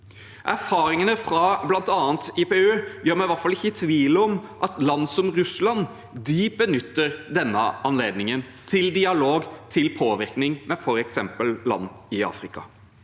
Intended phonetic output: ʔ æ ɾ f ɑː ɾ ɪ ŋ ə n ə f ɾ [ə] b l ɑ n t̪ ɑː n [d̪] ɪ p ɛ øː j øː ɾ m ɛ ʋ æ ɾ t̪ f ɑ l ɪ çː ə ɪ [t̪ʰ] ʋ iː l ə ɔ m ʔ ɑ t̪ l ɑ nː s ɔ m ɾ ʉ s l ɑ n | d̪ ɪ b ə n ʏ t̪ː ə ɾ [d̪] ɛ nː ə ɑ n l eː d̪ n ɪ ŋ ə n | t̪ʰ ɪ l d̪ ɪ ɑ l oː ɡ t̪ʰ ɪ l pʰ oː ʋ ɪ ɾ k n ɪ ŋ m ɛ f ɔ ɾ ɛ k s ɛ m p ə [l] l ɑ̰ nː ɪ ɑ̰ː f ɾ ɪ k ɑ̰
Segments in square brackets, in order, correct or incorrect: incorrect: ɑ, incorrect: t̪, correct, correct, correct

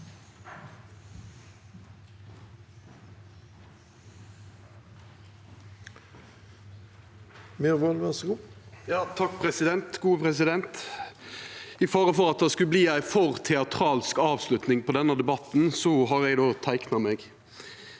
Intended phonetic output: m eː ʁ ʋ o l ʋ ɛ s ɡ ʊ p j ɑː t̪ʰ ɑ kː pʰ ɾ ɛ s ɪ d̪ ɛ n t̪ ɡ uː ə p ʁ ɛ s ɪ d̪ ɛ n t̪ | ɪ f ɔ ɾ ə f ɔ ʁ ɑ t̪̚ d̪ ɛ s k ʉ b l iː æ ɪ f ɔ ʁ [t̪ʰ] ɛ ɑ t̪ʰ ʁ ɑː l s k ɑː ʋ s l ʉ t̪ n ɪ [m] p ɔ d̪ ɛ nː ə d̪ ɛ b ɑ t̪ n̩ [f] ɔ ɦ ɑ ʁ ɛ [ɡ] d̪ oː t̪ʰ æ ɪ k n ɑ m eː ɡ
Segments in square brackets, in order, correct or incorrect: correct, incorrect: ŋ, incorrect: s, correct

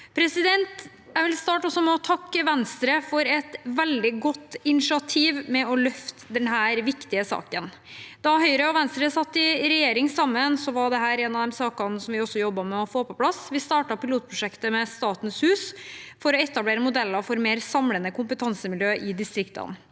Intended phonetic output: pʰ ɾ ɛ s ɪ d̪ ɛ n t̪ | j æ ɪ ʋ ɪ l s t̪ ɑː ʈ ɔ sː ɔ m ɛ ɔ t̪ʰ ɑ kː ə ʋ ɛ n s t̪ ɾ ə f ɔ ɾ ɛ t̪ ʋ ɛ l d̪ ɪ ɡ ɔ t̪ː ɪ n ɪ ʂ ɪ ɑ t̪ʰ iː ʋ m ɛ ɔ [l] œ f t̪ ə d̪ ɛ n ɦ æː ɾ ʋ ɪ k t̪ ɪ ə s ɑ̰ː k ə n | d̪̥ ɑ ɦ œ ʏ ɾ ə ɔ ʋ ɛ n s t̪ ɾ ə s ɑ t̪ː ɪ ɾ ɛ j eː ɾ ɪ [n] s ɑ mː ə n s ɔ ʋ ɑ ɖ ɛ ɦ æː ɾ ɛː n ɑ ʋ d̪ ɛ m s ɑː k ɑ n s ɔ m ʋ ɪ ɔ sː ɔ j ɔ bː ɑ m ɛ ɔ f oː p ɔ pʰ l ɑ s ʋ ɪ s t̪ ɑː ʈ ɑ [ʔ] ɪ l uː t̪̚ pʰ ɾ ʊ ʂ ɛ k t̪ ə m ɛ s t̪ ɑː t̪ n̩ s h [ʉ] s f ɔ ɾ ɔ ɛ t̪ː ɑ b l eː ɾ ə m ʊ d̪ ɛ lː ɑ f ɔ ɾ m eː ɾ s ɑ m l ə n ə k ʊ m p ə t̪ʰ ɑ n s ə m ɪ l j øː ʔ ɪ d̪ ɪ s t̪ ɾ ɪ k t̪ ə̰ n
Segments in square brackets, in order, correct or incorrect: correct, incorrect: ŋ, incorrect: p, incorrect: ʉː

